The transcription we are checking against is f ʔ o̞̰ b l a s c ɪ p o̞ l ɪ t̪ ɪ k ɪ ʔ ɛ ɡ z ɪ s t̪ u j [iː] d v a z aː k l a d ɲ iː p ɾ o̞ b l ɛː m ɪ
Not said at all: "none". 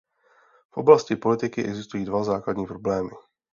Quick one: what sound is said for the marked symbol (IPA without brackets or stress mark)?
iː